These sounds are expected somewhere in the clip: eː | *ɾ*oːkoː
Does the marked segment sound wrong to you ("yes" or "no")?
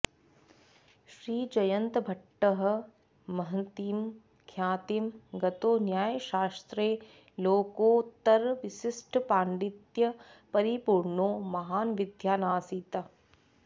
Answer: yes